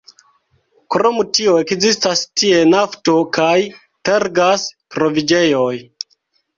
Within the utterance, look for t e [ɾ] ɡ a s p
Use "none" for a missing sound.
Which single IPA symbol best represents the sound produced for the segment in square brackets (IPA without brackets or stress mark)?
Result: ɾ